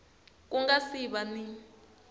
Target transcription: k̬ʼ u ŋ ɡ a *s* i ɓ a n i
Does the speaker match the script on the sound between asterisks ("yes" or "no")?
yes